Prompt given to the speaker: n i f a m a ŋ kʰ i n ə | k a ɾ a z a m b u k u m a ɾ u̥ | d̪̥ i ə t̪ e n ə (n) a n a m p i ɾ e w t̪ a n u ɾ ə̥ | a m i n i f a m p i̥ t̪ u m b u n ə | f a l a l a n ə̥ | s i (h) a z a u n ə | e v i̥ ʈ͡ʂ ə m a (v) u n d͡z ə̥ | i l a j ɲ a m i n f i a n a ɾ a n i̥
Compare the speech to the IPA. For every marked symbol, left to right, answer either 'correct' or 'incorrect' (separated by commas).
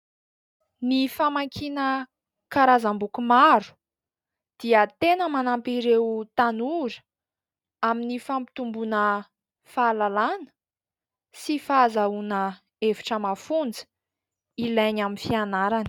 incorrect, incorrect, incorrect